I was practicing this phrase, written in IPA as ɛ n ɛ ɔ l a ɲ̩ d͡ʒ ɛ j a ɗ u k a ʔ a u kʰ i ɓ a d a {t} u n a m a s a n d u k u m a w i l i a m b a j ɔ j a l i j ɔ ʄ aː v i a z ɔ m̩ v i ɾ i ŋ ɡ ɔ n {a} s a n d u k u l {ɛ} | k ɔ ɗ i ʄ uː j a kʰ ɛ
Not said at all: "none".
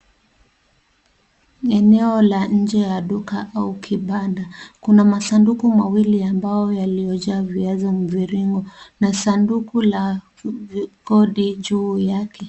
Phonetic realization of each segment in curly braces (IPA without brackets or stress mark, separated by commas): k, a, a